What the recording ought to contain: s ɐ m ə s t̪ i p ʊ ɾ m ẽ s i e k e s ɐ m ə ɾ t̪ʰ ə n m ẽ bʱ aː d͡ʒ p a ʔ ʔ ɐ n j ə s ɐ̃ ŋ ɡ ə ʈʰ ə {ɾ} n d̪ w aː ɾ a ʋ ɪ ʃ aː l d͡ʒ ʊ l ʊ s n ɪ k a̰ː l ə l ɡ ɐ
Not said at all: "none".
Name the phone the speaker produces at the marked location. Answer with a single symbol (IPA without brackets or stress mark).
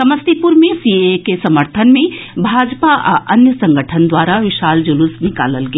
none